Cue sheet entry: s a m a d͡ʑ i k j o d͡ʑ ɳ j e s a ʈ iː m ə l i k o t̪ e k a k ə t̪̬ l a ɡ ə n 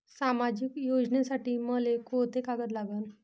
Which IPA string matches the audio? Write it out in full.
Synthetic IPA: s a m a d͡ʑ i k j o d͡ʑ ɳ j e s a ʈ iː m ə l e k o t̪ e k a ɡ ə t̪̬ l a ɡ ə n